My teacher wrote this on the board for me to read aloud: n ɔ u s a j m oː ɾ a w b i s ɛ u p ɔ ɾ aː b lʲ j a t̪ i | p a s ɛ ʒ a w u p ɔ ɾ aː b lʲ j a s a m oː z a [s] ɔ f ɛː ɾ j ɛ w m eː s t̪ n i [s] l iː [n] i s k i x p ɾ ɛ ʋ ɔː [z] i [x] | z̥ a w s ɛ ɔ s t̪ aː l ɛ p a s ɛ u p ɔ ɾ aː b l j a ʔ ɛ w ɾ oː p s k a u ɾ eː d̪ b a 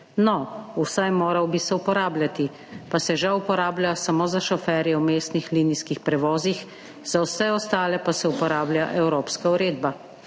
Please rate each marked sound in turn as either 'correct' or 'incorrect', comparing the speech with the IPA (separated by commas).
incorrect, incorrect, correct, correct, correct